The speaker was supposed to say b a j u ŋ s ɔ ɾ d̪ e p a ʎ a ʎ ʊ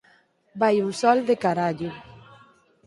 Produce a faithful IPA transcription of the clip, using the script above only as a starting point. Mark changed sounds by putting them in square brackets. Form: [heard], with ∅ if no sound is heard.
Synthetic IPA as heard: b a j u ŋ s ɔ [l] d̪ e [k] a [ɾ] a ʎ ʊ

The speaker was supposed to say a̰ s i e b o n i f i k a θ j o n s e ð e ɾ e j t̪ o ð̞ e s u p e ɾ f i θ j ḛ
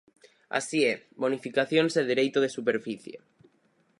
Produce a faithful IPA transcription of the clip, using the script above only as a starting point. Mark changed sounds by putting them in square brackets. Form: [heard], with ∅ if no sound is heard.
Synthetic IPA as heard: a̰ s i e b o n i f i k a θ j o n s e ð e ɾ e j t̪ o ð̞ e s u p e ɾ f i θ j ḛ

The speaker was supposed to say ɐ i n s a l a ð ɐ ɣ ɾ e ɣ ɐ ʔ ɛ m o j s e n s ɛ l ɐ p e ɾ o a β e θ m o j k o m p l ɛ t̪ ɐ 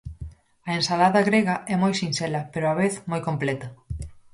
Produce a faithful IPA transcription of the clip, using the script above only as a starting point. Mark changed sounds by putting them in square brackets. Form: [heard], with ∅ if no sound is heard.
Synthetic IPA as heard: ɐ [e] n s a l a ð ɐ ɣ ɾ e ɣ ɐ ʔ ɛ m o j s [i] n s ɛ l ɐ p e ɾ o a β e θ m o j k o m p l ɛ t̪ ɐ

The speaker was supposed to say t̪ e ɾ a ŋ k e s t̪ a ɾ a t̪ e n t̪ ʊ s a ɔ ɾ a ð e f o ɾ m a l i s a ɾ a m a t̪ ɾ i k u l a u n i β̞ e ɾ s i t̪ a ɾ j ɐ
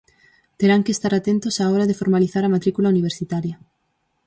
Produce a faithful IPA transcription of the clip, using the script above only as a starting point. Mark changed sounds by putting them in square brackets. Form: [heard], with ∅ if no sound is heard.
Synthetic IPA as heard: t̪ e ɾ a ŋ k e s t̪ a ɾ a t̪ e n t̪ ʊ s a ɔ ɾ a ð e f o ɾ m a l i [θ] a ɾ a m a t̪ ɾ i k u l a u n i β̞ e ɾ s i t̪ a ɾ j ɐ

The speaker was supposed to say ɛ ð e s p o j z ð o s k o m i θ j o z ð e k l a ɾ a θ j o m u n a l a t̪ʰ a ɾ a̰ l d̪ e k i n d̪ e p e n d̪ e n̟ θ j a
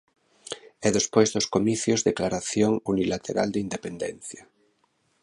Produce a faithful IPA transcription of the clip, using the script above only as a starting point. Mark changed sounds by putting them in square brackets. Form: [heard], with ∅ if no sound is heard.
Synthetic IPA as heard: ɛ ð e s p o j z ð o s k o m i θ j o z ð e k l a ɾ a θ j o [ŋ] u n [i] l a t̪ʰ [e] ɾ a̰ l d̪ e [∅] i n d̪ e p e n d̪ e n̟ θ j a

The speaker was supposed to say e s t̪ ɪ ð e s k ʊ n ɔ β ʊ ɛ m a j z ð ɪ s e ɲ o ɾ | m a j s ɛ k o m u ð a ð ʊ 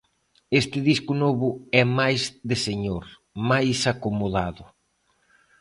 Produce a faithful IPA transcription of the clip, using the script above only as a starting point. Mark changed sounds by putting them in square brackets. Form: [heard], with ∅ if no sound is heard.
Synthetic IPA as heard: e s t̪ ɪ ð [i] s k ʊ n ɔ β ʊ ɛ m a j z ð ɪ s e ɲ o ɾ | m a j s [a] k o m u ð a ð ʊ

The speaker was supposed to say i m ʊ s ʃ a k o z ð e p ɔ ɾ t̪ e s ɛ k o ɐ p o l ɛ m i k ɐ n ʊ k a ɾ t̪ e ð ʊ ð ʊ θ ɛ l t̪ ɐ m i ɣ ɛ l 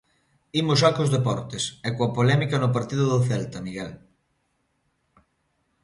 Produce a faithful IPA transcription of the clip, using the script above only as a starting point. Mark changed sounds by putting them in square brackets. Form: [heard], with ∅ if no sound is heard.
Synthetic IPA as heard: i m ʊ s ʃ a k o z ð e p ɔ ɾ t̪ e s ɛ k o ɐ p o l ɛ m i k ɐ n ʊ [p] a ɾ t̪ [i] ð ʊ ð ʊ θ ɛ l t̪ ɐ m i ɣ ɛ l

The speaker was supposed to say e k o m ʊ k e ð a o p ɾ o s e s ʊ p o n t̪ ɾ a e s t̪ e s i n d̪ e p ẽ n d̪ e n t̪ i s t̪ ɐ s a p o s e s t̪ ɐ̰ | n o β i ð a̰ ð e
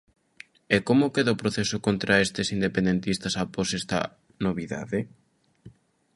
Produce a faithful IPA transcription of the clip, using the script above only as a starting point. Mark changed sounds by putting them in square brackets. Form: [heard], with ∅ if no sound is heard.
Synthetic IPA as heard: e k o m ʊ k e ð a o p ɾ o [θ] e s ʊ [k] o n t̪ ɾ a e s t̪ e s i n d̪ e p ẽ n d̪ e n t̪ i s t̪ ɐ s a p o s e s t̪ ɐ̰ | n o β i ð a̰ ð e

